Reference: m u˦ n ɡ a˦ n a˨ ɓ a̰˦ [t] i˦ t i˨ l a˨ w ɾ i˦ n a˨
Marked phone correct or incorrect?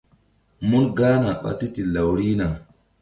correct